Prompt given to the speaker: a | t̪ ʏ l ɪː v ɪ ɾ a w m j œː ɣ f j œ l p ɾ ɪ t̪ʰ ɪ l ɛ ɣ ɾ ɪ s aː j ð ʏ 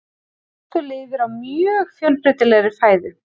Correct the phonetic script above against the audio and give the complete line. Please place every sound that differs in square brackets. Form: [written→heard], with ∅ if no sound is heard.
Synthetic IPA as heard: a | t̪ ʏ l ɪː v ɪ ɾ a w m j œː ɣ f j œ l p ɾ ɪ [t̪ʰ→t̪] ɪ l ɛ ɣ ɾ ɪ [s→f] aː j ð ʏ